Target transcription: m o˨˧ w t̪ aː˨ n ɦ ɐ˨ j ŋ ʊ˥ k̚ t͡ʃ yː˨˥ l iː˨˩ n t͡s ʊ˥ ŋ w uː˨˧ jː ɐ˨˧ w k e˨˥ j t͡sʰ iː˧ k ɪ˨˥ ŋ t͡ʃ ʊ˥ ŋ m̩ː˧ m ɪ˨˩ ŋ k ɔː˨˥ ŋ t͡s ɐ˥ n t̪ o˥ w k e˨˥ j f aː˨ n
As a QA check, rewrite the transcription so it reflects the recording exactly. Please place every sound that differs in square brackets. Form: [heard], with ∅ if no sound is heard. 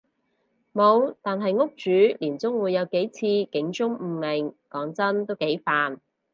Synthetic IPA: m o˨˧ w t̪ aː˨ n ɦ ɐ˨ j ŋ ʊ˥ k̚ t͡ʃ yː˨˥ l iː˨˩ n t͡s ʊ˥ ŋ w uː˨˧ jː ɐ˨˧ w k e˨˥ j t͡sʰ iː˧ k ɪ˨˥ ŋ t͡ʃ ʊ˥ ŋ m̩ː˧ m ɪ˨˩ ŋ k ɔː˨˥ ŋ t͡s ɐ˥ n t̪ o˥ w k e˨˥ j f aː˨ n